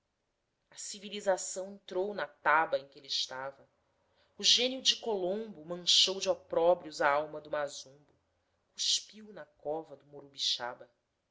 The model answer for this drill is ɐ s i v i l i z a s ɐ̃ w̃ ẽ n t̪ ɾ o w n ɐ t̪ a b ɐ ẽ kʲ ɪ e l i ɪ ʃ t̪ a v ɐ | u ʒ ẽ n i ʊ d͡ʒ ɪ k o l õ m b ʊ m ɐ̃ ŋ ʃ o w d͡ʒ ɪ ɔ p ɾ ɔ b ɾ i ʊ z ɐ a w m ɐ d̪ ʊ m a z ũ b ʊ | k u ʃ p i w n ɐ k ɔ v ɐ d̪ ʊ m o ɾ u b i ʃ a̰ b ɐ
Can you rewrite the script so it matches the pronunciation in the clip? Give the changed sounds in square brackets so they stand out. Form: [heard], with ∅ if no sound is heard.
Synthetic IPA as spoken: ɐ s i v i l i z a s ɐ̃ w̃ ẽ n t̪ ɾ o w n ɐ t̪ a b ɐ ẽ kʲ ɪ e l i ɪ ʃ t̪ a v ɐ | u ʒ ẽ n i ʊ d͡ʒ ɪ k o l õ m b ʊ m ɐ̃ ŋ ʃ o w d͡ʒ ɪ ɔ p ɾ ɔ b ɾ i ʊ z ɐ a w m ɐ d̪ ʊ m a z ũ b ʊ | k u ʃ p i w n ɐ k ɔ v ɐ d̪ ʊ m o ɾ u b i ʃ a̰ b ɐ